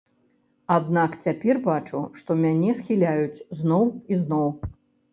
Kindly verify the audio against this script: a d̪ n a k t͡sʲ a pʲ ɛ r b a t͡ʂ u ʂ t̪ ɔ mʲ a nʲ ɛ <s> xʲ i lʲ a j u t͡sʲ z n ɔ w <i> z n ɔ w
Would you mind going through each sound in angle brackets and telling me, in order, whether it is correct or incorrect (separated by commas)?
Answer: correct, correct